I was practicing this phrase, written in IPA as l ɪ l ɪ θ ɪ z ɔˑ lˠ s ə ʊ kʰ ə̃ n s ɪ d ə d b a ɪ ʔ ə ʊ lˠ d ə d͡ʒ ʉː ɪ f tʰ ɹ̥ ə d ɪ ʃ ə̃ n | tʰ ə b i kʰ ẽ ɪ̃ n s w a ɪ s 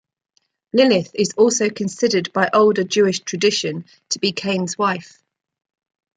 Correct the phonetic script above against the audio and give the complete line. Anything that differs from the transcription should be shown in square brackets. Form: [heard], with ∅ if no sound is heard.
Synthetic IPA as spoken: l ɪ l ɪ θ ɪ z ɔˑ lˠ s ə ʊ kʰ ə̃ n s ɪ d ə d b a ɪ ʔ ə ʊ lˠ d ə d͡ʒ ʉː ɪ [ʃ] tʰ ɹ̥ ə d ɪ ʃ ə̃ n | tʰ ə b i kʰ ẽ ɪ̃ n [z] w a ɪ [f]

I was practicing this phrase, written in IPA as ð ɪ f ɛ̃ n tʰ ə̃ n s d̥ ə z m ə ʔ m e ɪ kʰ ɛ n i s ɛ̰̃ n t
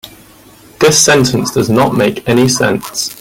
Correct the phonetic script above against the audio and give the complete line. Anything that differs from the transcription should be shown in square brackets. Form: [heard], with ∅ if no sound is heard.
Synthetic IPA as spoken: ð ɪ [s] ɛ̃ n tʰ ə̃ n s d̥ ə z [n] ə ʔ m e ɪ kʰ ɛ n i s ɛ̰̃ n [s]

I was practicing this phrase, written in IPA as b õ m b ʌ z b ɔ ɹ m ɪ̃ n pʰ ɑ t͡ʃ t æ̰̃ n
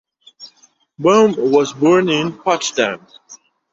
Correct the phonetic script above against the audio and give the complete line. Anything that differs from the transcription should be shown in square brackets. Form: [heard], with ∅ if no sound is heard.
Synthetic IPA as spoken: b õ m [w] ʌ z b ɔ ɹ [n] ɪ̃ n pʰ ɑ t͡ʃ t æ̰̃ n

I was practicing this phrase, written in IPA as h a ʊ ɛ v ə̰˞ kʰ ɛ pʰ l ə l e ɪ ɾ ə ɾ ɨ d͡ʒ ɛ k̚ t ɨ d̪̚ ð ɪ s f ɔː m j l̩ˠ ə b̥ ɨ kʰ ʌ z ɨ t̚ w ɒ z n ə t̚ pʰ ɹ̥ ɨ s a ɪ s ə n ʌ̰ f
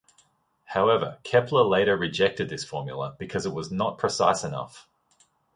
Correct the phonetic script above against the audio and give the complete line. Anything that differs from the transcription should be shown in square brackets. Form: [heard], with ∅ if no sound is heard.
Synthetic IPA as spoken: h a ʊ ɛ v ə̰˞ kʰ ɛ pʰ l ə l e ɪ ɾ ə [ɹ] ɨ d͡ʒ ɛ k̚ t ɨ d̪̚ ð ɪ s f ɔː m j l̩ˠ ə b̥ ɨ kʰ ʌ z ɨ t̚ w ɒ z n ə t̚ pʰ ɹ̥ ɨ s a ɪ s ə n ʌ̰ f

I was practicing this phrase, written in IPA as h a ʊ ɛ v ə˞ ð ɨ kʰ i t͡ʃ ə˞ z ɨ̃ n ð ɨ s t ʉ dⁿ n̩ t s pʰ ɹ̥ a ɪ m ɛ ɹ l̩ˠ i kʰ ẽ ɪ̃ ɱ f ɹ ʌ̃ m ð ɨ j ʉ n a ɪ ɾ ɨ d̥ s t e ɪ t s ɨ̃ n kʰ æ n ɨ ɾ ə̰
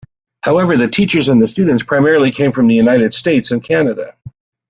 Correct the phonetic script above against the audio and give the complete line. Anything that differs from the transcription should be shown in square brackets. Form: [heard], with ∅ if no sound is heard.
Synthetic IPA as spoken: h a ʊ ɛ v ə˞ ð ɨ [tʰ] i t͡ʃ ə˞ z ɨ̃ n ð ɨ s t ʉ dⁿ n̩ t s pʰ ɹ̥ a ɪ m ɛ ɹ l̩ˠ i kʰ ẽ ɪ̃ ɱ f ɹ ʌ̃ m ð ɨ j ʉ n a ɪ ɾ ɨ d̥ s t e ɪ t s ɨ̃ n kʰ æ n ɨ ɾ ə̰

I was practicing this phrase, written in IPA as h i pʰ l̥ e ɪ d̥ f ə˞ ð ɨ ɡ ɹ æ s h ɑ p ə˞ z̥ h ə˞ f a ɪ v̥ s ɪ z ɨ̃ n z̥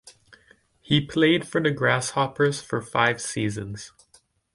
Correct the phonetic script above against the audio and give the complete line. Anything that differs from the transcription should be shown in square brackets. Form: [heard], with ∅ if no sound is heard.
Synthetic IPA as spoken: h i pʰ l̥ e ɪ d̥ f ə˞ ð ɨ ɡ ɹ æ s h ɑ p ə˞ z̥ [f] ə˞ f a ɪ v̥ s [i] z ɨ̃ n z̥

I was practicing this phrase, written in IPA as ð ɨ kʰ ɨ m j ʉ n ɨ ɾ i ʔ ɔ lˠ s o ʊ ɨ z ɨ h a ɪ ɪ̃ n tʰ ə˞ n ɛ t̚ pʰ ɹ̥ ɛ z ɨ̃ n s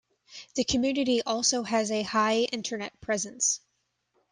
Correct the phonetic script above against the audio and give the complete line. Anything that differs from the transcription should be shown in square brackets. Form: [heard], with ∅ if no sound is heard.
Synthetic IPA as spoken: ð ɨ kʰ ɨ m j ʉ n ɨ ɾ i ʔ ɔ lˠ s o ʊ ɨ z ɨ h a ɪ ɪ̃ n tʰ ə˞ n ɛ t̚ pʰ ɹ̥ ɛ z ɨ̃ n s

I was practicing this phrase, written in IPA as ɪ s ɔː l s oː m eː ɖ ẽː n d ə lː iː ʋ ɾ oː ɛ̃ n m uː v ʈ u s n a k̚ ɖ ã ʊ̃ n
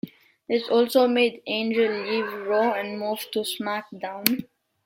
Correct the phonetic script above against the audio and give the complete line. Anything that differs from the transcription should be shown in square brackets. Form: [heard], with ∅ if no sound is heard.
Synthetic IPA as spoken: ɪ s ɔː l s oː m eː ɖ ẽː n [d͡ʒ] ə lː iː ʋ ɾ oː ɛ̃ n m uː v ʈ u s [m] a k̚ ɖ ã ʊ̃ n

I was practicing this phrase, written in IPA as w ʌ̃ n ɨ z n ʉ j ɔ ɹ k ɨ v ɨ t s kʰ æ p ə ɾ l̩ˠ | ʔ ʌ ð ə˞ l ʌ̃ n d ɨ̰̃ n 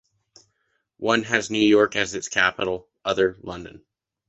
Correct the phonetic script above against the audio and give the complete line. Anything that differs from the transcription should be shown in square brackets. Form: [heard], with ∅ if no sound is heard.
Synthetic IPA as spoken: w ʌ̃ n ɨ z n ʉ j ɔ ɹ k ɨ [z] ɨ t s kʰ æ p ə ɾ l̩ˠ | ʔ ʌ ð ə˞ l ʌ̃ n d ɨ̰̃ n

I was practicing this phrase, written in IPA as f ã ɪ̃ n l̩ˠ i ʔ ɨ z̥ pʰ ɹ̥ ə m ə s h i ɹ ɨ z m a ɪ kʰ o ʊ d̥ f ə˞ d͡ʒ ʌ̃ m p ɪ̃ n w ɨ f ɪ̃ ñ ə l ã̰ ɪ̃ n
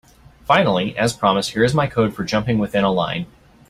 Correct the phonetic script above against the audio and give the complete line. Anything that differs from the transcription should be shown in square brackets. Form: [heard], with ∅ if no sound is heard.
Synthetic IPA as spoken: f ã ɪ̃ n l̩ˠ i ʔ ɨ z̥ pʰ ɹ̥ [ɑ] m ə s h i ɹ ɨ z m a ɪ kʰ o ʊ d̥ f ə˞ d͡ʒ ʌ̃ m p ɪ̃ [ŋ] w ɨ [θ] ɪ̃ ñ ə l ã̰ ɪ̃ n

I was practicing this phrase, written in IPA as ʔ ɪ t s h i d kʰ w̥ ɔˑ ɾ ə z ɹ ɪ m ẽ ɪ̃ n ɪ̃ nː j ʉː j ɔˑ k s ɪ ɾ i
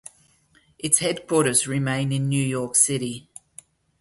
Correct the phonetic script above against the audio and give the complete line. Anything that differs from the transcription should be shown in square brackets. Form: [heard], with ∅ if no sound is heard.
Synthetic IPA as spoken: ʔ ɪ t s h [ɛ] d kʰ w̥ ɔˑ ɾ ə z ɹ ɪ m ẽ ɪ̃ n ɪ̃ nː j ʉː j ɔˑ k s ɪ ɾ i

